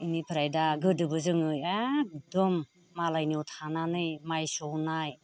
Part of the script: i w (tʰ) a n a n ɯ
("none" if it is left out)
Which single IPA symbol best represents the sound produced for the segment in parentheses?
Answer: tʰ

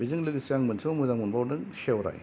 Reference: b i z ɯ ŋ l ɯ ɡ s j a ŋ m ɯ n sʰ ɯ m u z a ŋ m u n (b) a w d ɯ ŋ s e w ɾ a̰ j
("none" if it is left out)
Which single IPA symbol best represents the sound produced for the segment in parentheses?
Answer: b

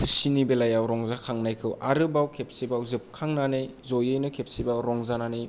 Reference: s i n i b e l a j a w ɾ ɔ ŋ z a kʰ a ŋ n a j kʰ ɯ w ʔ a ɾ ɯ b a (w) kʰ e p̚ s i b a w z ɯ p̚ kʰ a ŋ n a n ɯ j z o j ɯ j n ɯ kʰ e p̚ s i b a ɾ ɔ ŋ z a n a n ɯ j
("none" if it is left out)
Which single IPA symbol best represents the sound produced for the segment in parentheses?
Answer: w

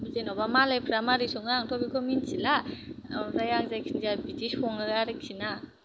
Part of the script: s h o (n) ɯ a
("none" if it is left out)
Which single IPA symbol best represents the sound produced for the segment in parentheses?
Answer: ŋ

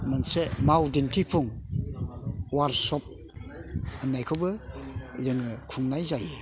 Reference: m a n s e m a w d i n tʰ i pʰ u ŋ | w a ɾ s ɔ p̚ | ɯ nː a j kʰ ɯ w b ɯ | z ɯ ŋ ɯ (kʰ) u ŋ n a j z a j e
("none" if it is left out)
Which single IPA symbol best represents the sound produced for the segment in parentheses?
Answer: kʰ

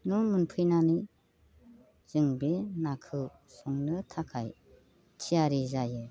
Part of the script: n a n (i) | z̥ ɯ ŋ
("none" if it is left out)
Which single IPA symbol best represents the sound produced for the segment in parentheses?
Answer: i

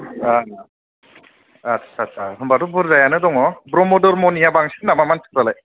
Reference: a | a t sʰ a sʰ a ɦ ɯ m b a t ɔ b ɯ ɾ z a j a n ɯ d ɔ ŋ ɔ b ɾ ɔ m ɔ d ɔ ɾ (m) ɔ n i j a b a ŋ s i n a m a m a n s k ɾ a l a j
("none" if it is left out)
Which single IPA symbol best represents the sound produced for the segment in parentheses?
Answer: m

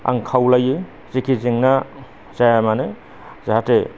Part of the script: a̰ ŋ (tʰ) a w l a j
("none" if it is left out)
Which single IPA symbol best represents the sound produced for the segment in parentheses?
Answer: kʰ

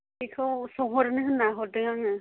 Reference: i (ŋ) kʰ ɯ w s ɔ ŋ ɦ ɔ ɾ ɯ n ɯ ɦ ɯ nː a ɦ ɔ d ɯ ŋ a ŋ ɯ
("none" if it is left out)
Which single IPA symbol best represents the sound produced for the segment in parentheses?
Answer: none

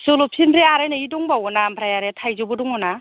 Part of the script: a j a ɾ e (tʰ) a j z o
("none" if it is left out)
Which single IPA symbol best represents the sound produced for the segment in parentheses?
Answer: tʰ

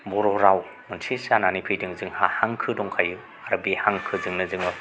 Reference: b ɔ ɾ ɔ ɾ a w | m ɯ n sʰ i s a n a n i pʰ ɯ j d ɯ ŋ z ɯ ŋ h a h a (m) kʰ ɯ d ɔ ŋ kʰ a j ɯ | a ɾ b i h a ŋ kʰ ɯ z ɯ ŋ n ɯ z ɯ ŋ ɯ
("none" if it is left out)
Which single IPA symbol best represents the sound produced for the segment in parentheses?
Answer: ŋ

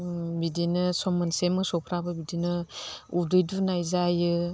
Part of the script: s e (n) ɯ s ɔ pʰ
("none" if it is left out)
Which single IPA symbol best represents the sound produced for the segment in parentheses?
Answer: m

